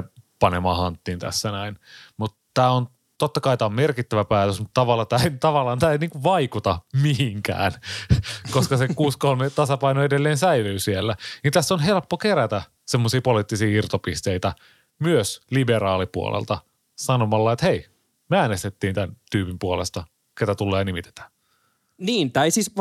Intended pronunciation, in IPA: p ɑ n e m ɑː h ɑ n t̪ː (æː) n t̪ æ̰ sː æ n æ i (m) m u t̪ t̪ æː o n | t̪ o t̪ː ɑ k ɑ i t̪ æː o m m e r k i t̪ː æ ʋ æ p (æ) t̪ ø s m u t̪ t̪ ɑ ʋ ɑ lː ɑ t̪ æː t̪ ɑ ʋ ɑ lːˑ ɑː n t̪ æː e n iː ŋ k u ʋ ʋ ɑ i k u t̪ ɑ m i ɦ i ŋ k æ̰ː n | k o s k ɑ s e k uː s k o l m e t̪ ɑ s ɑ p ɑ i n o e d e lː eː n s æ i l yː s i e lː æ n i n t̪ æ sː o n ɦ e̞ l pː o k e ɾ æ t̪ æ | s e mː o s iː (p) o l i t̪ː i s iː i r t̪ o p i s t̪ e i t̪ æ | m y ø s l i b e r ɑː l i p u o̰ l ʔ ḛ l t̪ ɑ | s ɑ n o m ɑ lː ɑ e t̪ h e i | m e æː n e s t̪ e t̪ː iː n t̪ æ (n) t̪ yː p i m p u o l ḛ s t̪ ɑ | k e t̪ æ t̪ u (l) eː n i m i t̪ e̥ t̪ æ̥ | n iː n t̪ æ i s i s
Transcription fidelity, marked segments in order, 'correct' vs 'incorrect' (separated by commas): incorrect, incorrect, incorrect, correct, correct, incorrect